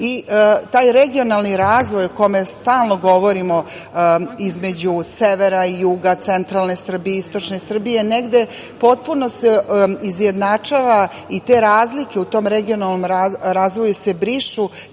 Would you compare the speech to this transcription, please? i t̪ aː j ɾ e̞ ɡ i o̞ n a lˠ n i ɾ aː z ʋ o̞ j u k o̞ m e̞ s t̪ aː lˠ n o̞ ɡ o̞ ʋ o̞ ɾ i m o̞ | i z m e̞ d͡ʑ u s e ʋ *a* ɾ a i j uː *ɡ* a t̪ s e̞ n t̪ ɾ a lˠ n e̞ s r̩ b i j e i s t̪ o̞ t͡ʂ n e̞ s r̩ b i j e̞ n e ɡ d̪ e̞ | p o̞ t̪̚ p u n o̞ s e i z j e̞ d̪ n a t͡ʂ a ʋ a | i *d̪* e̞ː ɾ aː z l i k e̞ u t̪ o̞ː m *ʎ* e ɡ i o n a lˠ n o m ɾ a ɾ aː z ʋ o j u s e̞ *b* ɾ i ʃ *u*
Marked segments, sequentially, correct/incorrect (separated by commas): incorrect, correct, incorrect, incorrect, correct, correct